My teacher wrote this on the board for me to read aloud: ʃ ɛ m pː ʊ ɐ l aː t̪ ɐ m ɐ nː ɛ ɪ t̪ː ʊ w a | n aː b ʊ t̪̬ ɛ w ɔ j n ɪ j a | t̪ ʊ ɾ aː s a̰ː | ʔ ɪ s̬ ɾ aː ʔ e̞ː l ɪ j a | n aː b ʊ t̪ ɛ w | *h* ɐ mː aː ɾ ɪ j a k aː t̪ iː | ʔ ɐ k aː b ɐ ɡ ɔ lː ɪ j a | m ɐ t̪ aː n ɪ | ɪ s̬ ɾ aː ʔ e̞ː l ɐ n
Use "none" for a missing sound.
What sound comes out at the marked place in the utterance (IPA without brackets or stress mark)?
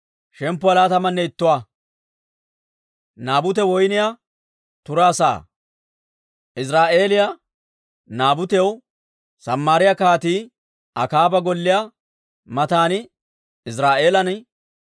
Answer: s